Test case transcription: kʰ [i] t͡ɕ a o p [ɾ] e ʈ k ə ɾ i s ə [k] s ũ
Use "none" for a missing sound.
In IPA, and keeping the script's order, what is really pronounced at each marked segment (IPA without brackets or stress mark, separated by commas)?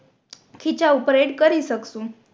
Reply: i, ɾ, k